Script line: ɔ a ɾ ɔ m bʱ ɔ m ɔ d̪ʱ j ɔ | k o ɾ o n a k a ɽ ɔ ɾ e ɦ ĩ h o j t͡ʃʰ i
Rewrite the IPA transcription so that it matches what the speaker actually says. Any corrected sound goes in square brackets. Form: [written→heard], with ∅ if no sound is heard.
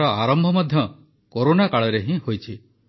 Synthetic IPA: ɔ a ɾ ɔ m bʱ ɔ m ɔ d̪ʱ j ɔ | k o ɾ o n a k a [ɽ→ɭ] ɔ ɾ e ɦ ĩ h o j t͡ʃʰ i